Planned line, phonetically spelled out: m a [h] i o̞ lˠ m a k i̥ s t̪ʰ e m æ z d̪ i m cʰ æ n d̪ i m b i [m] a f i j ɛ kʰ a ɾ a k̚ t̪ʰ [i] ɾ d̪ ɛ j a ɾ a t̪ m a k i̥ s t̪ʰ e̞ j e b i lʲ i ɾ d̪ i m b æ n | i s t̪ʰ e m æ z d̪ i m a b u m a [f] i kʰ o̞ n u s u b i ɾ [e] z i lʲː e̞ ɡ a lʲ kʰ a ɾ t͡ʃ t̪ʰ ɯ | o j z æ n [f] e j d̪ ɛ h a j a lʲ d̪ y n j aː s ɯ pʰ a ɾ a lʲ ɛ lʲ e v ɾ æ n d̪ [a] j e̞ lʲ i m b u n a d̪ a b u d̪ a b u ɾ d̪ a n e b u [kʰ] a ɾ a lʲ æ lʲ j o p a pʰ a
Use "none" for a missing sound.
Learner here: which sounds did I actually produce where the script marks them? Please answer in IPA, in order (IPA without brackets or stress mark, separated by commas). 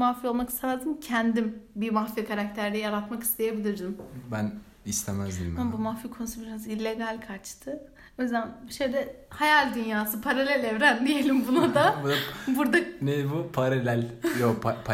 f, m, æ, f, a, ʃ, i, pʰ